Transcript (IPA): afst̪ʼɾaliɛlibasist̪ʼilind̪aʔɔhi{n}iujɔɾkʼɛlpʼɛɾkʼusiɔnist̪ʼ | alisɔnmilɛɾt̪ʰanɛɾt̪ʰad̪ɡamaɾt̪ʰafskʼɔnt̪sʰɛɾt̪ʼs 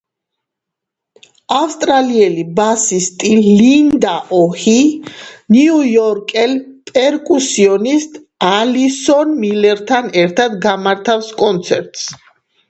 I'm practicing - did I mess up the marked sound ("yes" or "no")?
no